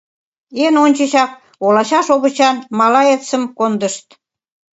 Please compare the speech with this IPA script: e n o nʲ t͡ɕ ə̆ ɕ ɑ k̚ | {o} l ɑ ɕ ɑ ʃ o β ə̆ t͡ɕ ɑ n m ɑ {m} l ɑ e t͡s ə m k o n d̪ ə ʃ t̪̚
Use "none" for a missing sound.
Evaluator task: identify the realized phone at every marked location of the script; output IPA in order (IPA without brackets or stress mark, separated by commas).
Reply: o, none